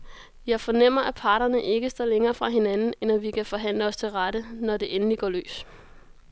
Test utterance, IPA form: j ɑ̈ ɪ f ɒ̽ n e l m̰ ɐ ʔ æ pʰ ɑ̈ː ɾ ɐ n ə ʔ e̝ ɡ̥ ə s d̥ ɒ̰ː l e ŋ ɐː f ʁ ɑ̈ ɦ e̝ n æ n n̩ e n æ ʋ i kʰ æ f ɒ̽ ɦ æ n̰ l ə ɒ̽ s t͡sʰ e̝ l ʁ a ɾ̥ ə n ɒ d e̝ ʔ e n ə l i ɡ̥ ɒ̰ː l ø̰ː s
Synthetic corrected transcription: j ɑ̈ ɪ f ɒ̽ n e m̰ ɐ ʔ æ pʰ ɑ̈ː ɾ ɐ n ə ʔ e̝ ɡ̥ ə s d̥ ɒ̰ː l e ŋ ɐː f ʁ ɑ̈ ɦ e̝ n æ n n̩ e n æ ʋ i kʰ æ f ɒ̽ ɦ æ n̰ l ə ɒ̽ s t͡sʰ e̝ l ʁ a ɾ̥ ə n ɒ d e̝ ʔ e n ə l i ɡ̥ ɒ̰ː l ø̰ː s

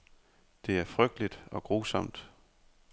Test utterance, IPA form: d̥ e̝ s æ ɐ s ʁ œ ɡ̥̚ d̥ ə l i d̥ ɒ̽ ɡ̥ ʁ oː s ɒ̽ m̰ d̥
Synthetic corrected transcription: d̥ e̝ æ ɐ f ʁ œ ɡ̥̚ d̥ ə l i d̥ ɒ̽ ɡ̥ ʁ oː s ɒ̽ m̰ d̥

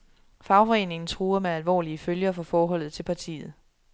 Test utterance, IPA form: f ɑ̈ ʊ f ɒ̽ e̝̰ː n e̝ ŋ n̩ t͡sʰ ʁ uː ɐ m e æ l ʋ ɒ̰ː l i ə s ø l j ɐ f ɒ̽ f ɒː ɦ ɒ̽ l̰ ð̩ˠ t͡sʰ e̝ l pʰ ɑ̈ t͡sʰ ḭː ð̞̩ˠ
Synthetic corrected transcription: f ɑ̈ ʊ f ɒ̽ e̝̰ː n e̝ ŋ n̩ t͡sʰ ʁ uː ɐ m e æ l ʋ ɒ̰ː l i ə f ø l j ɐ f ɒ̽ f ɒː ɦ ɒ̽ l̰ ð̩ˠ t͡sʰ e̝ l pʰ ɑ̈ t͡sʰ ḭː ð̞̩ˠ

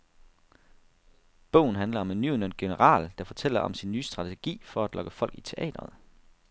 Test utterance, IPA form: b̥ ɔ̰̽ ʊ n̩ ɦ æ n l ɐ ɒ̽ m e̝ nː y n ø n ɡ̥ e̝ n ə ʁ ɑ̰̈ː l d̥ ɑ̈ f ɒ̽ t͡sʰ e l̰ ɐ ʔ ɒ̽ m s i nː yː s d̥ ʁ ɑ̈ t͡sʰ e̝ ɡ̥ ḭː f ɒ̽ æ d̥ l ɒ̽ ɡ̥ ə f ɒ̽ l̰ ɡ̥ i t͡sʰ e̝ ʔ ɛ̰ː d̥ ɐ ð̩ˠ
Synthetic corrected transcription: b̥ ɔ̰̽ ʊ n̩ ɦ æ n l ɐ ɒ̽ m e̝ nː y n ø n ɡ̥ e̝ n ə ʁ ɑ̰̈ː l d̥ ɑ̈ f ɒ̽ t͡sʰ e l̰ ɐ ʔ ɒ̽ m s i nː yː s d̥ ʁ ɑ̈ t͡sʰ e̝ ɡ̥ ḭː f ɒ̽ æ d̥ l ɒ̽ ɡ̥ ə f ɒ̽ l̰ ɡ̥ i t͡sʰ e̝ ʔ ɛ̰ː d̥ ɐ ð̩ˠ

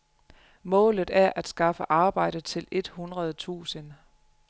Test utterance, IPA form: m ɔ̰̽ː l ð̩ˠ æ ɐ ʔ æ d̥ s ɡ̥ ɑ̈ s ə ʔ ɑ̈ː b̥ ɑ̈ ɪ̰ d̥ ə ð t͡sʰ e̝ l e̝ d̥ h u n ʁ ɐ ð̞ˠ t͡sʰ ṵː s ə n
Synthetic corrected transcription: m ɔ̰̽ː l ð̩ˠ æ ɐ ʔ æ d̥ s ɡ̥ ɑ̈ f ə ʔ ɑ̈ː b̥ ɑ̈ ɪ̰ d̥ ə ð t͡sʰ e̝ l e̝ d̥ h u n ʁ ɐ ð̞ˠ t͡sʰ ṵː s ə n

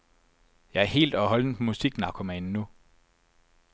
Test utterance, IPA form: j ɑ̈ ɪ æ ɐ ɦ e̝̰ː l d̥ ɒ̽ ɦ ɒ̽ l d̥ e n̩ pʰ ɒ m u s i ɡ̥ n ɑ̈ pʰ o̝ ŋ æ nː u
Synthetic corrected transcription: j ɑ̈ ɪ æ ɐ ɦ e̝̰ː l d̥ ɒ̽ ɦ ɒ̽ l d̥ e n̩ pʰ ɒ m u s i ɡ̥ n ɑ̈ kʰ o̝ m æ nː u

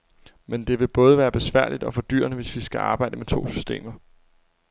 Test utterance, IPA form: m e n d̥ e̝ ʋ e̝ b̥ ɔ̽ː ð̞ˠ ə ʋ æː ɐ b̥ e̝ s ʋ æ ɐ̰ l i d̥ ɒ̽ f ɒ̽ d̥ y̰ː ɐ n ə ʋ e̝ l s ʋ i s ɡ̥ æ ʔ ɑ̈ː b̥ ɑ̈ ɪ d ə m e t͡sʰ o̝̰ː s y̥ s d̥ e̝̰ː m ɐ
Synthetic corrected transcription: m e n d̥ e̝ ʋ e̝ b̥ ɔ̽ː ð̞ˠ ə ʋ æː ɐ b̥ e̝ s ʋ æ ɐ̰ l i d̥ ɒ̽ f ɒ̽ d̥ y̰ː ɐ n ə ʋ e̝ s ʋ i s ɡ̥ æ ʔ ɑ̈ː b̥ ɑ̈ ɪ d ə m e t͡sʰ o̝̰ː s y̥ s d̥ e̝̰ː m ɐ

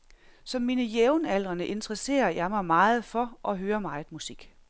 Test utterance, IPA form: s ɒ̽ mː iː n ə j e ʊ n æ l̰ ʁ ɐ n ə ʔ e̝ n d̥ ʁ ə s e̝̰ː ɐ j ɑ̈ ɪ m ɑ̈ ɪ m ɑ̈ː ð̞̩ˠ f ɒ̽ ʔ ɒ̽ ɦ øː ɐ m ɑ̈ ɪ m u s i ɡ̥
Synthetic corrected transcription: s ɒ̽ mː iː n ə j e ʊ n æ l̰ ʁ ɐ n ə ʔ e̝ n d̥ ʁ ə s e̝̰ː ɐ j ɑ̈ ɪ m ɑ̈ ɪ m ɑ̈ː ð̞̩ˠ f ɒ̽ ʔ ɒ̽ ɦ øː ɐ m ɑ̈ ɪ m u s i ɡ̥

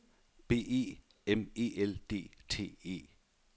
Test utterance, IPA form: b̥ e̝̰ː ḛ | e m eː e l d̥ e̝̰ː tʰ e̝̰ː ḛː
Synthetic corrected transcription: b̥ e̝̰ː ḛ | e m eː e l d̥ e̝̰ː tʰ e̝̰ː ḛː

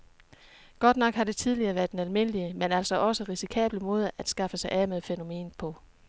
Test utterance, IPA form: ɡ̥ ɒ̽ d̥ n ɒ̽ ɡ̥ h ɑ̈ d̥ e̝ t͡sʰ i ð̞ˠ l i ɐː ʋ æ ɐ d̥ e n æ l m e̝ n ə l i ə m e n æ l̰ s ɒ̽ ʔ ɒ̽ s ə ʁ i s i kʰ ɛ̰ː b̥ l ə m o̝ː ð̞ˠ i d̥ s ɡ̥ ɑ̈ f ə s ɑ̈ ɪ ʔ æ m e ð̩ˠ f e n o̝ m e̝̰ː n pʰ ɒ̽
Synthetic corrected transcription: ɡ̥ ɒ̽ d̥ n ɒ̽ ɡ̥ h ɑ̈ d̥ e̝ t͡sʰ i ð̞ˠ l i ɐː ʋ æ ɐ d̥ e n æ l m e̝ n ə l i ə m e n æ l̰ s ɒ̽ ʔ ɒ̽ s ə ʁ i s i kʰ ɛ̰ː b̥ l ə m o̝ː ð̞ˠ æ d̥ s ɡ̥ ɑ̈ f ə s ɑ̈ ɪ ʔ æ m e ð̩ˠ f e n o̝ m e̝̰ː n pʰ ɒ̽

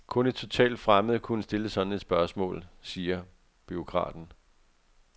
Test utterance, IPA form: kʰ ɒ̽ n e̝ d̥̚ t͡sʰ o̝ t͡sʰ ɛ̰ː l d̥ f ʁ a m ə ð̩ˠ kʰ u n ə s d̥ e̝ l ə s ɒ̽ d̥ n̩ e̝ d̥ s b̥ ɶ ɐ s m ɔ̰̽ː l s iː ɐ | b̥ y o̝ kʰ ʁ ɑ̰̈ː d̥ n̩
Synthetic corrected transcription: kʰ ɔ̽ n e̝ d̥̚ t͡sʰ o̝ t͡sʰ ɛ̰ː l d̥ f ʁ a m ə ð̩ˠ kʰ u n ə s d̥ e̝ l ə s ɒ̽ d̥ n̩ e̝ d̥ s b̥ ɶ ɐ s m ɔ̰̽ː l s iː ɐ | b̥ y o̝ kʰ ʁ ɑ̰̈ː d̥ n̩

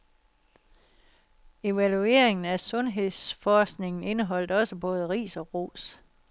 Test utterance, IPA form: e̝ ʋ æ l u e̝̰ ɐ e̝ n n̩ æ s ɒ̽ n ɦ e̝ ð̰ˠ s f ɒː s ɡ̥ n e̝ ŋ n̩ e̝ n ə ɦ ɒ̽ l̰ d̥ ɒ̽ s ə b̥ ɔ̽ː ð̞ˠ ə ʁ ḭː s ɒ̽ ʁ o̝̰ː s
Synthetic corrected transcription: e̝ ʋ æ l u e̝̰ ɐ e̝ ŋ n̩ æ s ɔ̽ n ɦ e̝ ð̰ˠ s f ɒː s ɡ̥ n e̝ ŋ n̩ e̝ n ə ɦ ɒ̽ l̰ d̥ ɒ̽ s ə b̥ ɔ̽ː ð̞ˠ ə ʁ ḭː s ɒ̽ ʁ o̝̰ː s

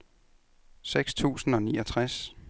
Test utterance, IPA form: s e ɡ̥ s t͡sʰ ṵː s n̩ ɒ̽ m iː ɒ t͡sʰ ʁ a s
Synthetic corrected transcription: s e ɡ̥ s t͡sʰ ṵː s n̩ ɒ̽ n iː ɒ t͡sʰ ʁ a s

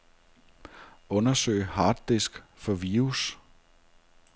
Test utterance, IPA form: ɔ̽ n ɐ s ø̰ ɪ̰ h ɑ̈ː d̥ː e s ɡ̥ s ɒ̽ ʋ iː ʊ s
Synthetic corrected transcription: ɔ̽ n ɐ s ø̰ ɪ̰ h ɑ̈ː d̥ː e s ɡ̥ f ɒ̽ ʋ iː u s

